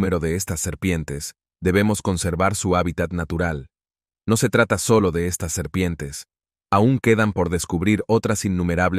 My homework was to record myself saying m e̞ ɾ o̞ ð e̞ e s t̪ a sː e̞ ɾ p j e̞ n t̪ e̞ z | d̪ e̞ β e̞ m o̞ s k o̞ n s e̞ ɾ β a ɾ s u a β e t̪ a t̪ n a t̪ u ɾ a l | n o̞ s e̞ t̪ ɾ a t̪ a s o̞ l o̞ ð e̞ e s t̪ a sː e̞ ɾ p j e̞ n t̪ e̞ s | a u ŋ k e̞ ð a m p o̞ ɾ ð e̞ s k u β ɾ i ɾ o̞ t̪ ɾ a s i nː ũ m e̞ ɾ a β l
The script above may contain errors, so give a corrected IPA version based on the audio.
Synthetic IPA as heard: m e̞ ɾ o̞ ð e̞ e s t̪ a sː e̞ ɾ p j e̞ n t̪ e̞ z | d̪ e̞ β e̞ m o̞ s k o̞ n s e̞ ɾ β a ɾ s u a β i t̪ a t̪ n a t̪ u ɾ a l | n o̞ s e̞ t̪ ɾ a t̪ a s o̞ l o̞ ð e̞ e s t̪ a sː e̞ ɾ p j e̞ n t̪ e̞ s | a u ŋ k e̞ ð a m p o̞ ɾ ð e̞ s k u β ɾ i ɾ o̞ t̪ ɾ a s i nː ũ m e̞ ɾ a β l